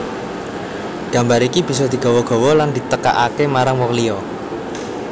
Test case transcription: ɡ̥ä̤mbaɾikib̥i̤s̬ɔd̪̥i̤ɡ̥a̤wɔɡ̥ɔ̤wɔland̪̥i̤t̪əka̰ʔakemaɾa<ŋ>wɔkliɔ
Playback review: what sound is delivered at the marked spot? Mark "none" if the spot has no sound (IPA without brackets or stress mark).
ŋ